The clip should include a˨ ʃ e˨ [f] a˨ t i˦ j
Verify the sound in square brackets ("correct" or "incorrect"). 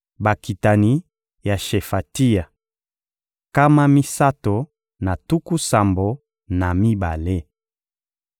correct